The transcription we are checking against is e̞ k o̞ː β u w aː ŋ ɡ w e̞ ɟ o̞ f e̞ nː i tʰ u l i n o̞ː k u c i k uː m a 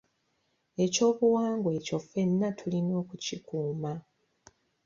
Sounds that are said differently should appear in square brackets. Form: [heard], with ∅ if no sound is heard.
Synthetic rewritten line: e̞ [c] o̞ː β u w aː ŋ ɡ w e̞ [c] o̞ f e̞ nː [a] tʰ u l i n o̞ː k u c i k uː m a

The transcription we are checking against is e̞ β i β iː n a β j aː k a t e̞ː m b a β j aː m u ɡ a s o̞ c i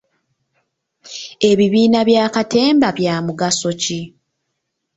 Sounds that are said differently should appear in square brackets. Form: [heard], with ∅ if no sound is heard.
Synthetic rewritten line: e̞ β i β iː n a β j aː k a t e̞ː m b a β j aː m u ɡ a s o̞ c i

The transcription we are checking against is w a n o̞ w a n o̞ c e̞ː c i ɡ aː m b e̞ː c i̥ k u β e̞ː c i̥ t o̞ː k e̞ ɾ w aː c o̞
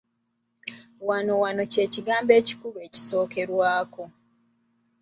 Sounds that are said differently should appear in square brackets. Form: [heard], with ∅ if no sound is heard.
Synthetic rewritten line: w a n o̞ w a n o̞ c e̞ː c i ɡ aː m b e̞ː c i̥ k u β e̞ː c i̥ [s] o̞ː k e̞ ɾ w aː [k] o̞

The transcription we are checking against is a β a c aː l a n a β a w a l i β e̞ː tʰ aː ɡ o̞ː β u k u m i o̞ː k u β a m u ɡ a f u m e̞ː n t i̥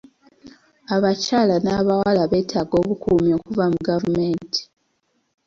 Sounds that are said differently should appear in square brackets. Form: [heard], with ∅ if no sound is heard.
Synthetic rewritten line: a β a c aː l a n a β a w a l [a] β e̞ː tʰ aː ɡ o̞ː β u k u m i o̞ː k u [v] a m u ɡ a [v] u m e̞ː n t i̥

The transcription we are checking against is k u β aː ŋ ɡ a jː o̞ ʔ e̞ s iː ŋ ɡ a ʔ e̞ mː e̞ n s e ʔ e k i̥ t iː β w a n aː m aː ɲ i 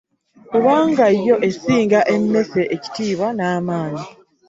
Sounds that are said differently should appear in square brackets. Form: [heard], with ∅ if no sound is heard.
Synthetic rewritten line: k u β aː ŋ ɡ a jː o̞ ʔ e̞ s iː ŋ ɡ a ʔ e̞ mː e̞ [∅] s e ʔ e [c] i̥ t iː β w a n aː m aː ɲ i

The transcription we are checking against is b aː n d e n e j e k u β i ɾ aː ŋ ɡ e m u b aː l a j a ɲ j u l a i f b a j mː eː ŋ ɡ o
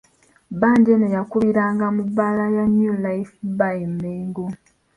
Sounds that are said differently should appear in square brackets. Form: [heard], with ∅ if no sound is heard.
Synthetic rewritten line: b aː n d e n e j [a] k u β i ɾ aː ŋ ɡ [a] m u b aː l a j a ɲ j u l a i f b a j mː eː ŋ ɡ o

